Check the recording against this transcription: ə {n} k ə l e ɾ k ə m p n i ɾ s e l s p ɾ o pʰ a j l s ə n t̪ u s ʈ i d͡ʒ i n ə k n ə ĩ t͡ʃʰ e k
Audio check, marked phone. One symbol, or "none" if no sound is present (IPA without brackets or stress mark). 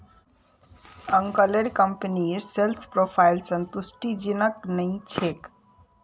ŋ